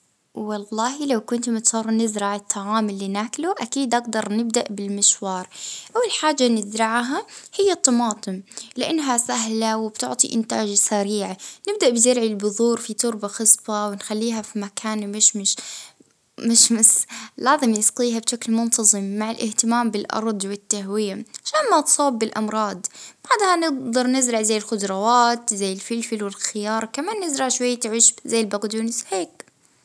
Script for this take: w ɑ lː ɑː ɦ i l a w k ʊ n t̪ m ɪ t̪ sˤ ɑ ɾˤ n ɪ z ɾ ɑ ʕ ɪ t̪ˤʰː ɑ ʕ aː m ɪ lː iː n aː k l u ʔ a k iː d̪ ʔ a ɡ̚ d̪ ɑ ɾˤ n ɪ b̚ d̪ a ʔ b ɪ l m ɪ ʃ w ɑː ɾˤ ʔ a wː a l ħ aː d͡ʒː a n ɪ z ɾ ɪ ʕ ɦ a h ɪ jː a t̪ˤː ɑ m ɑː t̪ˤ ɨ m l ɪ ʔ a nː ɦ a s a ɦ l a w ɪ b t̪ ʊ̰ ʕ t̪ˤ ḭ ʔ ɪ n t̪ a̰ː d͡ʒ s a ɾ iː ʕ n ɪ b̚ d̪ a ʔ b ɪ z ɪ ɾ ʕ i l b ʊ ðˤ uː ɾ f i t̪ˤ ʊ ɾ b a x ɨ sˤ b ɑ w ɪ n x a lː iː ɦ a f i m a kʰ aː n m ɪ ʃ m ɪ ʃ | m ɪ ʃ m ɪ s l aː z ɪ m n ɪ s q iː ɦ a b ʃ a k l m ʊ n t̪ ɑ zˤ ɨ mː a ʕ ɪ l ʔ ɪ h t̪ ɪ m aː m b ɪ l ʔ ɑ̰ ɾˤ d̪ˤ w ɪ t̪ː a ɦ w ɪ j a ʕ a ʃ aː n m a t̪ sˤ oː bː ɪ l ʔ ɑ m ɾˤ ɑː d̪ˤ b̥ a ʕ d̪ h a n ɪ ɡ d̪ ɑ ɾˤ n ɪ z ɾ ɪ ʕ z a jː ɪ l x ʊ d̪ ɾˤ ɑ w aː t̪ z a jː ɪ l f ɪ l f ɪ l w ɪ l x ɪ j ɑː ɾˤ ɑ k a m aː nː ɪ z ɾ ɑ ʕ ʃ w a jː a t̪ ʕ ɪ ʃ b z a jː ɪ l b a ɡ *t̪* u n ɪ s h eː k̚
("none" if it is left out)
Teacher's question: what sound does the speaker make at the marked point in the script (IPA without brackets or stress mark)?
d̪